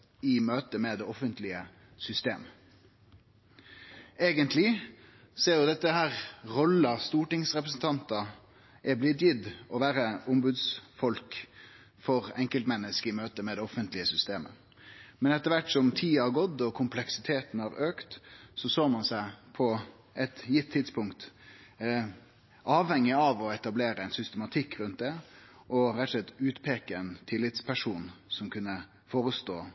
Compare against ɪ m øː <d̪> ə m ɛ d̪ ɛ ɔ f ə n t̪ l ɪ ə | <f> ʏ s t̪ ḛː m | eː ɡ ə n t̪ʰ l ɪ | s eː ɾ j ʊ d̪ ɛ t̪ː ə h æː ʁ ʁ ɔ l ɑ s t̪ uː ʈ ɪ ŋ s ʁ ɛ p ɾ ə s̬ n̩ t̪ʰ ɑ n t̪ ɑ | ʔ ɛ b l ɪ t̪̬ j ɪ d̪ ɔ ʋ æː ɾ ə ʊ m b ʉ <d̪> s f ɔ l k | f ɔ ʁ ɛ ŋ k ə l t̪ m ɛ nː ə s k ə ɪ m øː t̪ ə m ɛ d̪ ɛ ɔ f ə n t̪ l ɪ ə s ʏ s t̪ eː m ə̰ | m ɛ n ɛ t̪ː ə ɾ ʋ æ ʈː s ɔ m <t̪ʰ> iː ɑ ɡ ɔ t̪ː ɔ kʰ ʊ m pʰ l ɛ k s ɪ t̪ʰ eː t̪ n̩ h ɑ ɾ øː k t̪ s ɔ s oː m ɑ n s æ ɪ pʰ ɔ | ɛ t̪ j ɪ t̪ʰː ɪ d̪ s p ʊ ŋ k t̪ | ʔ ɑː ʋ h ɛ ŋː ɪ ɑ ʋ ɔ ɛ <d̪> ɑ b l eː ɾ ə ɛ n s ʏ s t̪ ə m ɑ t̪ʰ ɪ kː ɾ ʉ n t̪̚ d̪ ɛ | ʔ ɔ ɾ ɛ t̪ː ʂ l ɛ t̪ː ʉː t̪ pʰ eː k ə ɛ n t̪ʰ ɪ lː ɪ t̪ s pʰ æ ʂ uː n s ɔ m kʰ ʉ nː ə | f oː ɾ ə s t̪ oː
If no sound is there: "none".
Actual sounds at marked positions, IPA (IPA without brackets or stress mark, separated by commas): t̪, s, d̪, t̪ʰ, t̪